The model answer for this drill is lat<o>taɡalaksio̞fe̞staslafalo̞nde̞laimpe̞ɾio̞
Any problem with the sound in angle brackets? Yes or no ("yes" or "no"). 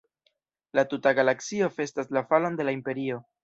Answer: yes